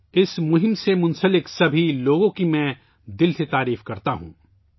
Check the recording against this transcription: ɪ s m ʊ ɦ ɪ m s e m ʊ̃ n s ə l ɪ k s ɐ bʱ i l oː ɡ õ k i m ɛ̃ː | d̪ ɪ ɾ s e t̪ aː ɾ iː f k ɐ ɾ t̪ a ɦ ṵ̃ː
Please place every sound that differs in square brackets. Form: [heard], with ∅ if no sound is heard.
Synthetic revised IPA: ɪ s m ʊ ɦ ɪ m s e m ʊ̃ n s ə l ɪ k s ɐ bʱ i l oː ɡ õ k i m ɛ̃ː | d̪ ɪ [l] s e t̪ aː ɾ iː f k ɐ ɾ t̪ a ɦ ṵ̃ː